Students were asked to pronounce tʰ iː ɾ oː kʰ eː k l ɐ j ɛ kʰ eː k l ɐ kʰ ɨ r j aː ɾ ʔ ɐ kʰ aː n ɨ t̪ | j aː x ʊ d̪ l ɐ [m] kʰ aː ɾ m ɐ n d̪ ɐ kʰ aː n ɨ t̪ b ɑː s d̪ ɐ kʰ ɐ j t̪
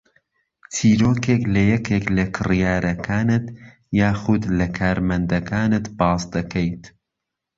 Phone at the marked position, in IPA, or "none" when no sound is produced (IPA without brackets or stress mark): none